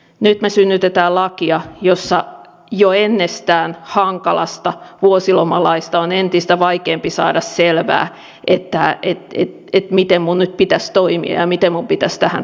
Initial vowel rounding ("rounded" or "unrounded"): rounded